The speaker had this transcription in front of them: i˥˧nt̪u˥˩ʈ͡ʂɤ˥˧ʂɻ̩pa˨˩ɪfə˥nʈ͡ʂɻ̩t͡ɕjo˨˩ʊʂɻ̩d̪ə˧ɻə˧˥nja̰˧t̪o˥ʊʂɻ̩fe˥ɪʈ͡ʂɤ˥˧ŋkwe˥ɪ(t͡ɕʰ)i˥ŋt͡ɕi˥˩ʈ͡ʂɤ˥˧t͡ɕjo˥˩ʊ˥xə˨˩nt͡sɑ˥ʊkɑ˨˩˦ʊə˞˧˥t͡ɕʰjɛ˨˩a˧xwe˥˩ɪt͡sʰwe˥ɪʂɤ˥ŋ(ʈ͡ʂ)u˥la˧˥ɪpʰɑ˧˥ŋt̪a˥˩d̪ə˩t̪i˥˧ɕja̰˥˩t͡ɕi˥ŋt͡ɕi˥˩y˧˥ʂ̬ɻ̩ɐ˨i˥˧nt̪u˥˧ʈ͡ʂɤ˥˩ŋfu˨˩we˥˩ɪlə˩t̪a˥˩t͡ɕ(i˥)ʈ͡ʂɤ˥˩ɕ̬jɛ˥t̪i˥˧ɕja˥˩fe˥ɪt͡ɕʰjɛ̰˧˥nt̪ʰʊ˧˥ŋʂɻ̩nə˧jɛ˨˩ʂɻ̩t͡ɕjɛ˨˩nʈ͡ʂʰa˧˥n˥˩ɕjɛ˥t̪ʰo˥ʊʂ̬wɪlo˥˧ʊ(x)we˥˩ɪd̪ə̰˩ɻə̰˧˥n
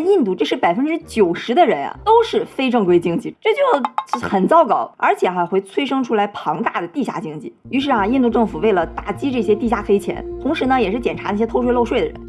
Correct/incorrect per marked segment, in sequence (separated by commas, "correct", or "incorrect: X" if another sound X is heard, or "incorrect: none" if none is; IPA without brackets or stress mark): incorrect: t͡ɕ, incorrect: ʈ͡ʂʰ, correct, incorrect: ʂ